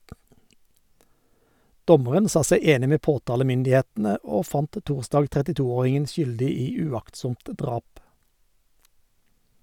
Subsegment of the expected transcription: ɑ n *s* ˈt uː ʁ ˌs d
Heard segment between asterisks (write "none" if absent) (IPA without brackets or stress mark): t